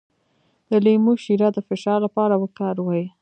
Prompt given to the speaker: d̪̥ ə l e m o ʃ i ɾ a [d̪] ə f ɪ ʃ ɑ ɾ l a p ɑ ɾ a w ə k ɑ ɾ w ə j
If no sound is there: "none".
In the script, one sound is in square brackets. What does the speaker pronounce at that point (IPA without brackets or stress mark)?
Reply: d̪